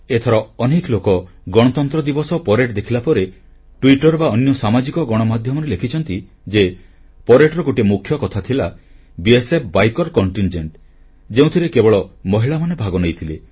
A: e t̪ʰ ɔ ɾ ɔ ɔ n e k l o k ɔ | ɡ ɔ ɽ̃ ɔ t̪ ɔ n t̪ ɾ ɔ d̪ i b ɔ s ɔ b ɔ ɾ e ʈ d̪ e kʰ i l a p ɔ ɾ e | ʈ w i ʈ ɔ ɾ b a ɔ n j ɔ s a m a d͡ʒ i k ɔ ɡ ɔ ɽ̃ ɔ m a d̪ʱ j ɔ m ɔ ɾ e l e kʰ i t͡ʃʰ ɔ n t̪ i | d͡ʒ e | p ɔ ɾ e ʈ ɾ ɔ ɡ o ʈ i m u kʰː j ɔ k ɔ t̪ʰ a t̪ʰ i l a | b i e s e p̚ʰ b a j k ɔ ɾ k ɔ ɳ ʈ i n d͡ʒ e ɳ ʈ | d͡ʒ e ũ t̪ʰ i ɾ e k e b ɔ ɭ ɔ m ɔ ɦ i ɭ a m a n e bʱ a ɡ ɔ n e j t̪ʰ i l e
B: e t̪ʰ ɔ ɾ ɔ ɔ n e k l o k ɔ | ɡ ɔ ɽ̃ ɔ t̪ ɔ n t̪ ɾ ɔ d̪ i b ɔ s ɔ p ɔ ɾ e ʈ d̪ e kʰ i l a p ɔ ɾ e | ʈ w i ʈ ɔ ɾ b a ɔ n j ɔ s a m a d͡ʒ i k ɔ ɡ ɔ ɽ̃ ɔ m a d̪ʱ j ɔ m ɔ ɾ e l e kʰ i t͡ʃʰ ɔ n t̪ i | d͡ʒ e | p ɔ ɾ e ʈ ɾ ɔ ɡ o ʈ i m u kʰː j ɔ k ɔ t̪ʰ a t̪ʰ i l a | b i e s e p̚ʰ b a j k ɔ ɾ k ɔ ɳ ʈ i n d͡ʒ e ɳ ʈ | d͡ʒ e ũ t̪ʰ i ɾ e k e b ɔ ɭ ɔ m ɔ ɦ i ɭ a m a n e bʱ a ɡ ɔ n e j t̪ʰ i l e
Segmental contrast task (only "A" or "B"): B